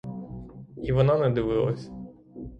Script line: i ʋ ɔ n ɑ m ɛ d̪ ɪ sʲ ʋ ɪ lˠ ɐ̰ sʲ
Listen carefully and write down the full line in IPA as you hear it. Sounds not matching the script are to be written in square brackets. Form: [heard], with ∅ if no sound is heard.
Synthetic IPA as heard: i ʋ ɔ n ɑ [n] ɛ d̪ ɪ [∅] ʋ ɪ lˠ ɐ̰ sʲ

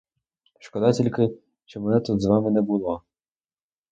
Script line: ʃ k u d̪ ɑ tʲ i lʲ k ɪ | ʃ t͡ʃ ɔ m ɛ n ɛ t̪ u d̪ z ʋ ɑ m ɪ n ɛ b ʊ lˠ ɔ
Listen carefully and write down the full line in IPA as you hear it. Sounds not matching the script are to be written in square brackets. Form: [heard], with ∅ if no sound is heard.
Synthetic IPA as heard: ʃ k [ɔ] d̪ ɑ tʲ i lʲ k ɪ | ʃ t͡ʃ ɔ m ɛ n ɛ t̪ u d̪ z ʋ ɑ m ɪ n ɛ b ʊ lˠ ɔ

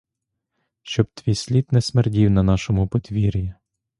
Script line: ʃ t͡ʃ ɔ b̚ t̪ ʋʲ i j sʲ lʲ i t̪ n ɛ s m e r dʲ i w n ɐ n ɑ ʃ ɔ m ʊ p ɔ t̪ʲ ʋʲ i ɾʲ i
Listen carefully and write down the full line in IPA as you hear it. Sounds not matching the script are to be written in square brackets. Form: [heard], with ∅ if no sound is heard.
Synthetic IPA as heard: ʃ t͡ʃ ɔ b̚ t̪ ʋʲ i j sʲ lʲ i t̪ n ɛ s m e r dʲ i w n ɐ n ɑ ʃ ɔ m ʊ p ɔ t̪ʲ ʋʲ i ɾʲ i

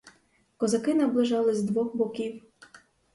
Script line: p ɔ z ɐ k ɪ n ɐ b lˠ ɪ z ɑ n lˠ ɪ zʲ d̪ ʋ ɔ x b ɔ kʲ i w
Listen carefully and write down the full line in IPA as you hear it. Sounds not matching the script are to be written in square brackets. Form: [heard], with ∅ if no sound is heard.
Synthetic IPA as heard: [k] ɔ z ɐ k ɪ n ɐ b lˠ ɪ [ʒ] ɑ [∅] lˠ ɪ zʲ d̪ ʋ ɔ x b ɔ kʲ i w

